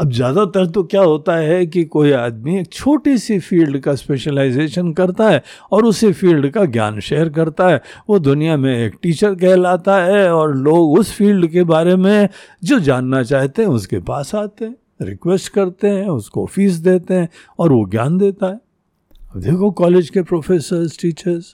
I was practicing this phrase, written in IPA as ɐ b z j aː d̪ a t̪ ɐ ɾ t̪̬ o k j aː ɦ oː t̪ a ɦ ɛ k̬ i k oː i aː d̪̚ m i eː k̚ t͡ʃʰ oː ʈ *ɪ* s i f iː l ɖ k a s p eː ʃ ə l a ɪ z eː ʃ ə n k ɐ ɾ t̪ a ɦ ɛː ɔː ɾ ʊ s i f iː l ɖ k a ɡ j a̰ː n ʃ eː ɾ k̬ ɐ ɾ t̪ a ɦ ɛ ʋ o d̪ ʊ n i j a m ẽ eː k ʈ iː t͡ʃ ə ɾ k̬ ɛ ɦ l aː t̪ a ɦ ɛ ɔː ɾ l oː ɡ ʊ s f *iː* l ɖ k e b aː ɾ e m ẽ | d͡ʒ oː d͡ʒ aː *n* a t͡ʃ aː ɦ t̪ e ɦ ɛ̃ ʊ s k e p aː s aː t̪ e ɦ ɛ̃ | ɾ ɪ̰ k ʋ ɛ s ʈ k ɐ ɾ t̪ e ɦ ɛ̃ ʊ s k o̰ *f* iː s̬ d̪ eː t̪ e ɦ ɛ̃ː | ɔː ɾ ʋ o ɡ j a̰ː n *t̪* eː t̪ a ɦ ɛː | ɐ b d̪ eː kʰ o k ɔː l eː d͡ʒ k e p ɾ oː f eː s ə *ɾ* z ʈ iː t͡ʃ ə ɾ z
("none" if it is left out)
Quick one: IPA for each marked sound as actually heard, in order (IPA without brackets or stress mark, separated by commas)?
i, iː, nː, f, d̪, ɾ